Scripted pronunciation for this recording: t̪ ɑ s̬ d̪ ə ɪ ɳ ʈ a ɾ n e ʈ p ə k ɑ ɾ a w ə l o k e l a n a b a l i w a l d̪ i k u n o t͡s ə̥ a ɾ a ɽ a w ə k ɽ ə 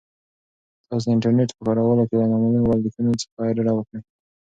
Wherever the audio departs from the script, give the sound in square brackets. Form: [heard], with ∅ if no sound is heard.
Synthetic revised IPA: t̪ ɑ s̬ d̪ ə ɪ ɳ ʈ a ɾ n e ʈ p ə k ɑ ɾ a w ə l o k e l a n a [m] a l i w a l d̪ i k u n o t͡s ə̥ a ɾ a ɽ a w ə k ɽ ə

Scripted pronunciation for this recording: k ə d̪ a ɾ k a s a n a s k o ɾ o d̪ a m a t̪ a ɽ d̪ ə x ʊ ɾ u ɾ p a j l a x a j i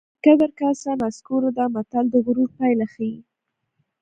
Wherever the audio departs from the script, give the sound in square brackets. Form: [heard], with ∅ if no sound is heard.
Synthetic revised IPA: k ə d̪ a ɾ k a s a n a s k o ɾ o d̪ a m a t̪ a [l] d̪ ə [ɣ] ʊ ɾ u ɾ p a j l a x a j i

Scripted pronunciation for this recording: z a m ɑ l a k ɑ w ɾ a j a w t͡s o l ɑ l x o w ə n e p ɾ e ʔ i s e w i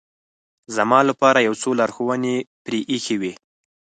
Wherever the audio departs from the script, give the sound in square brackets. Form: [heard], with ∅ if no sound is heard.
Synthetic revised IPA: z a m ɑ l a [p] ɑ [∅] ɾ a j a w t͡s o l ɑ [ɾ] x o w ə n e p ɾ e ʔ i [x] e w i

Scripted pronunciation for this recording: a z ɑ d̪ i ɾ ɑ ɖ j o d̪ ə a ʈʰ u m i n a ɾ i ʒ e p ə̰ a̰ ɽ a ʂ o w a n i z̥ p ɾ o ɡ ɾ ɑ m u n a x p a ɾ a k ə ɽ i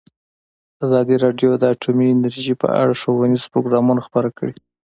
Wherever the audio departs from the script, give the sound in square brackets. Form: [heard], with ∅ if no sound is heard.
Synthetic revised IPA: a z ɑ d̪ i ɾ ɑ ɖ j o d̪ ə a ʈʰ u m i n a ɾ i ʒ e p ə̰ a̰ ɽ a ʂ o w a n i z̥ p ɾ o ɡ ɾ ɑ m u n a x p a ɾ a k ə ɽ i

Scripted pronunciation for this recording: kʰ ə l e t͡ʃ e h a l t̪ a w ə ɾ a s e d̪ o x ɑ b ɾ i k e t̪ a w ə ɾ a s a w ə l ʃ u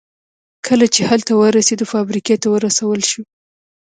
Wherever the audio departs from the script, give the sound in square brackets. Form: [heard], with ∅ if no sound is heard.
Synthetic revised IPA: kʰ ə l [a] t͡ʃ e h a l t̪ a w ə ɾ a s e d̪ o [f] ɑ b ɾ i k e t̪ a w ə ɾ a s a w ə l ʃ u

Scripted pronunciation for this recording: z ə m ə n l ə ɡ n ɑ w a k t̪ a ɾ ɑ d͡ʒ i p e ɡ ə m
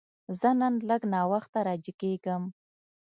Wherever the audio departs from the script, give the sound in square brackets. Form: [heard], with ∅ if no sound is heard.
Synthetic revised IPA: z ə [n] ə n l ə ɡ n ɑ w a [x] t̪ a ɾ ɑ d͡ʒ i [k] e ɡ ə m

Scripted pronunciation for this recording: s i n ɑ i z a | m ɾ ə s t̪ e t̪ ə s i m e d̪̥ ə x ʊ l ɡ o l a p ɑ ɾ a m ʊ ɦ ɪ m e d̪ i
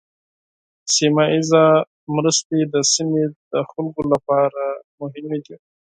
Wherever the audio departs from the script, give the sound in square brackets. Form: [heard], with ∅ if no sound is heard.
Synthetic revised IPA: s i [m] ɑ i z a | m ɾ ə s t̪ e [d̪] ə s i m e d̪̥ ə x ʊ l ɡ o l a p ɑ ɾ a m ʊ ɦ ɪ m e d̪ i

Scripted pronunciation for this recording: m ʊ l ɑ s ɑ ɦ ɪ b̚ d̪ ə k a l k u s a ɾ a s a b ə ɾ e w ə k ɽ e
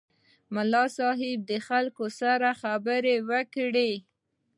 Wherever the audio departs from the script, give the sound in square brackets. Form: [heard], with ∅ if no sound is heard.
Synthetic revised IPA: m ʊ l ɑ s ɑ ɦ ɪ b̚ d̪ ə [x] a l k [o] s a ɾ a [x] a b ə ɾ e w ə k ɽ e

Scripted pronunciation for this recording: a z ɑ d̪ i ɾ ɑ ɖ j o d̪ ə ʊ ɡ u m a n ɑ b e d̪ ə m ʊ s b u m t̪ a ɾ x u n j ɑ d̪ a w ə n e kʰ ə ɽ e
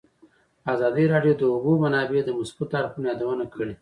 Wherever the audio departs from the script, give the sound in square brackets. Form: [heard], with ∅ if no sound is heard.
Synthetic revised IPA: a z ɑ d̪ i ɾ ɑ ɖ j o d̪ ə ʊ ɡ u m a n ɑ b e d̪ ə m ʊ s b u [∅] t̪ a ɾ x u n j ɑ d̪ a w ə n [a] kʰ ə ɽ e

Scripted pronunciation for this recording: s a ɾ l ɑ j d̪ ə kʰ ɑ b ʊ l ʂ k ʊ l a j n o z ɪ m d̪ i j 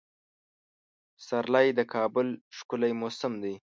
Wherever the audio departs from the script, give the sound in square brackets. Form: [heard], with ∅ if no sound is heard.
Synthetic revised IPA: s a ɾ l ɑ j d̪ ə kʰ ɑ b ʊ l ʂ k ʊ l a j [m] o [s] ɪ m d̪ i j

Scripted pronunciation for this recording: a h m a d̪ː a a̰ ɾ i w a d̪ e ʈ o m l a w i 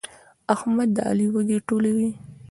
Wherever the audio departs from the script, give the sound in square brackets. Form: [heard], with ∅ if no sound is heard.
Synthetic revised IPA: a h m a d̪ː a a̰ [l] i w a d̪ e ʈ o [∅] l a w i

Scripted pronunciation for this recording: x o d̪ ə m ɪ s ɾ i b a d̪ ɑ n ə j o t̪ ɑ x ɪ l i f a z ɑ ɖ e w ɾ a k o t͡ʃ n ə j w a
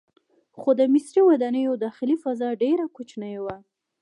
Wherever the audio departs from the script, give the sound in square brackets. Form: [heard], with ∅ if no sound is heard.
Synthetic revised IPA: x o d̪ ə m ɪ s ɾ i [w] a d̪ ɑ n ə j o [d̪] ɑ x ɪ l i f a z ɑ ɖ e [∅] ɾ a k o t͡ʃ n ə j w a

